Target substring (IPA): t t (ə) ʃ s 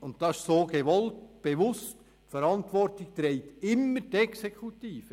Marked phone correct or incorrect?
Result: incorrect